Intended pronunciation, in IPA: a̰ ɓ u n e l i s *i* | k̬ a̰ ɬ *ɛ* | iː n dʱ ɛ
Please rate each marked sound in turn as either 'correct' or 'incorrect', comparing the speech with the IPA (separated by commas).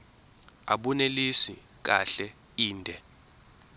correct, correct